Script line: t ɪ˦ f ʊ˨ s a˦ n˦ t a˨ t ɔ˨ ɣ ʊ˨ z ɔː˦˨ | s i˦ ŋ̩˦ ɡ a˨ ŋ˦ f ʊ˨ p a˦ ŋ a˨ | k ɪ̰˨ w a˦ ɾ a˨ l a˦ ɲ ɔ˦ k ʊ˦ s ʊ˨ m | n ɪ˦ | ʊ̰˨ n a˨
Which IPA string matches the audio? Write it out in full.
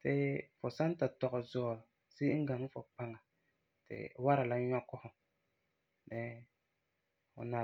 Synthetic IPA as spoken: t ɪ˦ f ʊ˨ s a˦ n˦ t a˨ t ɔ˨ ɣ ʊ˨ z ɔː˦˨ | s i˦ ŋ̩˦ ɡ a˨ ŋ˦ f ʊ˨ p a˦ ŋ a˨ | t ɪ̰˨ w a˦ ɾ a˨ l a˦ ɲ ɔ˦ k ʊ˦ h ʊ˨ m | n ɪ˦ | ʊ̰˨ n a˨